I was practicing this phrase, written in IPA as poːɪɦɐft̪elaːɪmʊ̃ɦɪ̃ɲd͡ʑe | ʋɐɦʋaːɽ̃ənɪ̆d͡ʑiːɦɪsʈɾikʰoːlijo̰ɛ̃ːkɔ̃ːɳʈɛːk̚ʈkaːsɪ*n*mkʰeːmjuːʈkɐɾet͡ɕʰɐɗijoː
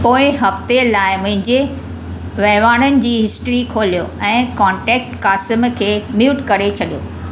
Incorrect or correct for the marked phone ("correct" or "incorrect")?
incorrect